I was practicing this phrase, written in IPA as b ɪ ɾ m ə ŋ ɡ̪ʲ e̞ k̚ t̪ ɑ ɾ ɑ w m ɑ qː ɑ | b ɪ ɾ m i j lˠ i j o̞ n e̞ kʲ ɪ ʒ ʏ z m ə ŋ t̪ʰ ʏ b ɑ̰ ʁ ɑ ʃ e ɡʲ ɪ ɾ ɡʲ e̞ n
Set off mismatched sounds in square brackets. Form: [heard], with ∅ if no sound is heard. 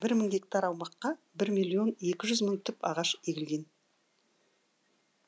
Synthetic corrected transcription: b ɪ ɾ m ə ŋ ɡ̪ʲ e̞ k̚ t̪ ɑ ɾ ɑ w m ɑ qː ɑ | b ɪ ɾ m i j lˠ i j o̞ n e̞ kʲ ɪ ʒ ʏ z m ə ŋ t̪ʰ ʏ [p] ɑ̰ ʁ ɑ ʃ e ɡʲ ɪ [l] ɡʲ e̞ n